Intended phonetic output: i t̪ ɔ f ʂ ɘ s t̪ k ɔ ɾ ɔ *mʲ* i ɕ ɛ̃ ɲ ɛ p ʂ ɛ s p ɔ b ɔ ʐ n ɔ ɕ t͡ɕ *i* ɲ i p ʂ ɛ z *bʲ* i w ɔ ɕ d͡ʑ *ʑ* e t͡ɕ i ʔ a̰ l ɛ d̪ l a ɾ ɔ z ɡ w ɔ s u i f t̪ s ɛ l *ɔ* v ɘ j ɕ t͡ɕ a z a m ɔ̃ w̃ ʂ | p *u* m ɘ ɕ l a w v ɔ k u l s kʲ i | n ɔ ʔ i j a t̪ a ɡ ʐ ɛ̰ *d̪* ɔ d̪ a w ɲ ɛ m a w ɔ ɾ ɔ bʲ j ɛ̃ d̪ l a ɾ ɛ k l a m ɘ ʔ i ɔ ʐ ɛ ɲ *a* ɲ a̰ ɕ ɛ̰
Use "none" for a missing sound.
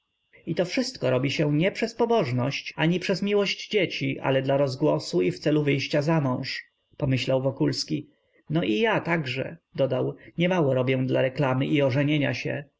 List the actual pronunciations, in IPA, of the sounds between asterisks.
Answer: bʲ, a, mʲ, d͡ʑ, u, ɔ, d̪, e

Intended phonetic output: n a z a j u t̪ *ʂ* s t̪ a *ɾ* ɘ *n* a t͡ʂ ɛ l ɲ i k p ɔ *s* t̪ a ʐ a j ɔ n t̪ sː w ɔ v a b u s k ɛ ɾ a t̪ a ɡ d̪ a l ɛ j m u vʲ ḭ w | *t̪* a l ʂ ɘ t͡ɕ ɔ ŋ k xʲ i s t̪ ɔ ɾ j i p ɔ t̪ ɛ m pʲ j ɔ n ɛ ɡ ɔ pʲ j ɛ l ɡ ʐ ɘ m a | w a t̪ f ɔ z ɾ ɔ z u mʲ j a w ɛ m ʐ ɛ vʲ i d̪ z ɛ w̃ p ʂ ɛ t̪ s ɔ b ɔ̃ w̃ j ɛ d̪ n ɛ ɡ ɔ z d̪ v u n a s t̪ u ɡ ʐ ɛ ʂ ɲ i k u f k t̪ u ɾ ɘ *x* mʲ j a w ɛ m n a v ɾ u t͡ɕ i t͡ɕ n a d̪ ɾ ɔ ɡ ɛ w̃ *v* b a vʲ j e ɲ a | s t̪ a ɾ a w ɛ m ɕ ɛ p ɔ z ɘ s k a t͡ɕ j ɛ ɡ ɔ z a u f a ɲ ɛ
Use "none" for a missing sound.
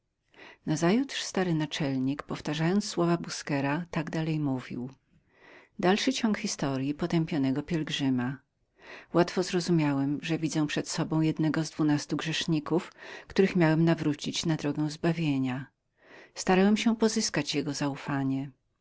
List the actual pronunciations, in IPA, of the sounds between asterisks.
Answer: ʂ, ɾ, n, f, d̪, x, z

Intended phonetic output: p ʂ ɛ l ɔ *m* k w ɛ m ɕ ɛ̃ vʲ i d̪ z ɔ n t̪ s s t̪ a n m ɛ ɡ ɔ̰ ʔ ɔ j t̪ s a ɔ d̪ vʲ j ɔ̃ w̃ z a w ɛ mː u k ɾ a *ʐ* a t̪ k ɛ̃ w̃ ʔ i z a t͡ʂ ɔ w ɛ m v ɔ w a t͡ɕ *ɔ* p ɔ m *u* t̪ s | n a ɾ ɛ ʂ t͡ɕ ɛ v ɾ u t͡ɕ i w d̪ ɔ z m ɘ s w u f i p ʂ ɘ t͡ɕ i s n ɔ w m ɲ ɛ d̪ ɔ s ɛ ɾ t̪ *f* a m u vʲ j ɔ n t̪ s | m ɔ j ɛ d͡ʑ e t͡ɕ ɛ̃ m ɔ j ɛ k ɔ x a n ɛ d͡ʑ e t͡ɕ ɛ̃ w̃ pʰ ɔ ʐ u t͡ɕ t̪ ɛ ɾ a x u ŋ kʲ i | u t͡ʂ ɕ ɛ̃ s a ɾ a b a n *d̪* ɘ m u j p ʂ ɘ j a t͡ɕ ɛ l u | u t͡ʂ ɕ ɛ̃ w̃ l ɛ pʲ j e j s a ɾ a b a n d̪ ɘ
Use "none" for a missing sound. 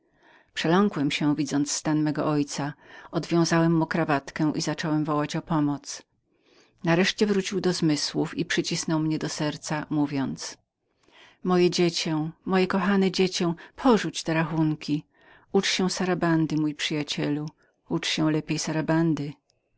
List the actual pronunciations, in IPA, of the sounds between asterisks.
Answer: ŋ, v, ɔ, ɔ, s, d̪

